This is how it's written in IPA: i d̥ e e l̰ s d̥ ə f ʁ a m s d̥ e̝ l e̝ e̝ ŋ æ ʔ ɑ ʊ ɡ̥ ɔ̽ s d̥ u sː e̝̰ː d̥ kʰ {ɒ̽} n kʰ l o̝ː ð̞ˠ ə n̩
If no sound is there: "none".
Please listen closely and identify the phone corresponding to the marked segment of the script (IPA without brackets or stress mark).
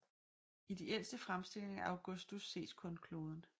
ɔ̽